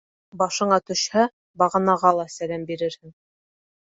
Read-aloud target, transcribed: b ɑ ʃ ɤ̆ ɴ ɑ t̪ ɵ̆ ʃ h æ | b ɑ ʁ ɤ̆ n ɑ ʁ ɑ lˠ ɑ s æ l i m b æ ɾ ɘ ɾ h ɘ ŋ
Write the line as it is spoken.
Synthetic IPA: b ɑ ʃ ɤ̆ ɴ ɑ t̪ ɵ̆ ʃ h æ | b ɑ ʁ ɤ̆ n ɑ ʁ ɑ lˠ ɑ s æ l æ m b i ɾ ɘ ɾ h ɘ ŋ